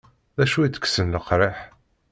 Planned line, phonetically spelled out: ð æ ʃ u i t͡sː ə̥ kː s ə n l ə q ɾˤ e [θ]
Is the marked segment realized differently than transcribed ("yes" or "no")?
yes